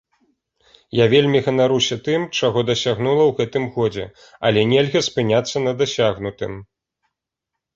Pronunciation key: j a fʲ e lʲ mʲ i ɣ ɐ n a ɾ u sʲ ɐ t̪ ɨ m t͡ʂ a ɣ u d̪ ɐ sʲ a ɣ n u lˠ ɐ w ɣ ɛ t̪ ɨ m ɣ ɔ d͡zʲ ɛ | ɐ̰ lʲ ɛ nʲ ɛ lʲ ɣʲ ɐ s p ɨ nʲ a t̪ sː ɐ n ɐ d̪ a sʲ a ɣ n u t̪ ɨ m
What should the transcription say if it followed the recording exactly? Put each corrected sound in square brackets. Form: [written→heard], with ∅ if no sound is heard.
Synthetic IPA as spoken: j a [fʲ→vʲ] e lʲ mʲ i ɣ ɐ n a ɾ u sʲ ɐ t̪ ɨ m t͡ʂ a ɣ [u→ɔ] d̪ ɐ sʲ a ɣ n u lˠ ɐ w ɣ ɛ t̪ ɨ m ɣ ɔ d͡zʲ ɛ | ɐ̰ lʲ ɛ nʲ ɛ lʲ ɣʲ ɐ s p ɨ nʲ a t̪ sː ɐ n ɐ d̪ a sʲ a ɣ n u t̪ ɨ m